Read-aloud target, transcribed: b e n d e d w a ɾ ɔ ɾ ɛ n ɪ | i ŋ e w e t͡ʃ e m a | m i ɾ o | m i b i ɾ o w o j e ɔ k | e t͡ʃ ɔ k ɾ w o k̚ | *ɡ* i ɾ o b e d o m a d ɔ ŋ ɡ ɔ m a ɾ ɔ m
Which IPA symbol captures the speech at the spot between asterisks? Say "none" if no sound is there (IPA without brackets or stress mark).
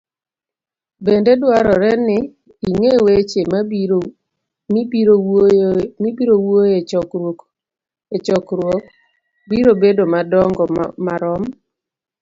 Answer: b